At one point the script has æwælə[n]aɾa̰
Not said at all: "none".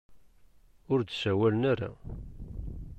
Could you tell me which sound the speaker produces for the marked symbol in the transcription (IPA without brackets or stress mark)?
n